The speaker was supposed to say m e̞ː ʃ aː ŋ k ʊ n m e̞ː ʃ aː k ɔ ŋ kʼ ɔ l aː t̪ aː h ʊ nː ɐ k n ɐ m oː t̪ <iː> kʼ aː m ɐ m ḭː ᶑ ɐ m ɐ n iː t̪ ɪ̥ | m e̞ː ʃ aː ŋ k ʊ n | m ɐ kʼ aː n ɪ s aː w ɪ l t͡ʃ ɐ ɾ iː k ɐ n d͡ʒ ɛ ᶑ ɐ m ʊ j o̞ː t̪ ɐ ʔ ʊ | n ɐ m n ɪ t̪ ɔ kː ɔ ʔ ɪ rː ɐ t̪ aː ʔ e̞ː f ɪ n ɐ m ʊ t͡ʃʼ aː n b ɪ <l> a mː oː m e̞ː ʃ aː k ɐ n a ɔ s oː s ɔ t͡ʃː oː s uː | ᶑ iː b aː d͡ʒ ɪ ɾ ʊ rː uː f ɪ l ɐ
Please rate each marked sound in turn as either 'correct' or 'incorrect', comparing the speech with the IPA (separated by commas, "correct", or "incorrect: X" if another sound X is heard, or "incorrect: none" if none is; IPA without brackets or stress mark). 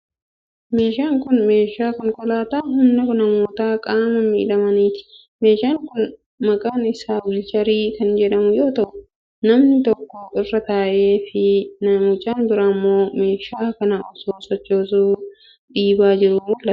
incorrect: aː, incorrect: ɾ